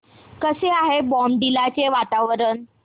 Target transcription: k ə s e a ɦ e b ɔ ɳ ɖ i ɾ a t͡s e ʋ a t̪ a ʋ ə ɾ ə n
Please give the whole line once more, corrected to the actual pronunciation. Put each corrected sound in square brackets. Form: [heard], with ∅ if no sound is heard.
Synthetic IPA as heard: k ə s e a ɦ e b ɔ [m] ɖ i [l] a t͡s e ʋ a t̪ a ʋ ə ɾ ə n